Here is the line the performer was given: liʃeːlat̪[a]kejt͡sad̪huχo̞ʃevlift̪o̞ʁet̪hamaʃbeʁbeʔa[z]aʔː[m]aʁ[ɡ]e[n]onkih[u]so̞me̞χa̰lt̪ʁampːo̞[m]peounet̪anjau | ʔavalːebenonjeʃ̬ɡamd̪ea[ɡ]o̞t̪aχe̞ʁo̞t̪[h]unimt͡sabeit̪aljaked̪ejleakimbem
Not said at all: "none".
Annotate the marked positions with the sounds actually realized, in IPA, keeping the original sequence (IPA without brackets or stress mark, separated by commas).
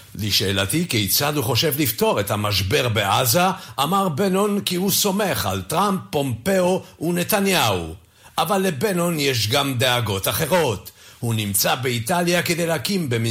i, z, m, b, n, u, m, ɡ, h